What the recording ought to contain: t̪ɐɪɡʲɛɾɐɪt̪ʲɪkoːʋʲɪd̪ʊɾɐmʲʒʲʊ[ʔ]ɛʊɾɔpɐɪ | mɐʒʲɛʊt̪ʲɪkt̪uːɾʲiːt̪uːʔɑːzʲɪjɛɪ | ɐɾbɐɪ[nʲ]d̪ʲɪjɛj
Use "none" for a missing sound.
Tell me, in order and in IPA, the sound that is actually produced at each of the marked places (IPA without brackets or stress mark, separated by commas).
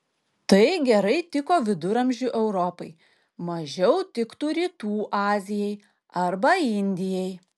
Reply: ʔ, nʲ